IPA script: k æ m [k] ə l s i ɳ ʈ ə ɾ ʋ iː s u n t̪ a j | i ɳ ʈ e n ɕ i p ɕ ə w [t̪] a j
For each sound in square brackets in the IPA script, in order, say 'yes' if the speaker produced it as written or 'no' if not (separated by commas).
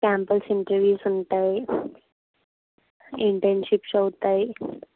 no, yes